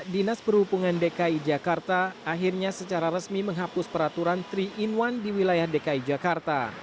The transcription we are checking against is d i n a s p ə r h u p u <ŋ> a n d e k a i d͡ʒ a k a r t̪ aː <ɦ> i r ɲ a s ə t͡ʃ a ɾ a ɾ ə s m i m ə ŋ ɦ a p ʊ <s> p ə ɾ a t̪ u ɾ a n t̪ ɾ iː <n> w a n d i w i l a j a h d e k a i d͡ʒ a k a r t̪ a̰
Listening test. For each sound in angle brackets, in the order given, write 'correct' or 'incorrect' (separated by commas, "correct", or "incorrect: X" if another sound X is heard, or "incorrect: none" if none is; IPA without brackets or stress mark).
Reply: correct, correct, correct, correct